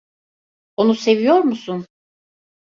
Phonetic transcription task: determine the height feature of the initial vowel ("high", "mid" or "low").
mid